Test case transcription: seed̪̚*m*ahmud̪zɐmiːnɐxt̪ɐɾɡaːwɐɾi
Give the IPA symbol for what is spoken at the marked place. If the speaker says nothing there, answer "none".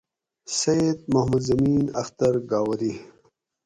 m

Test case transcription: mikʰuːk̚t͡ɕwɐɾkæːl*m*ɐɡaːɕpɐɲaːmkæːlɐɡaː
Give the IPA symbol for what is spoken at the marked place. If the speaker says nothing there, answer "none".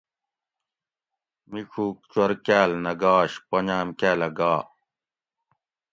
n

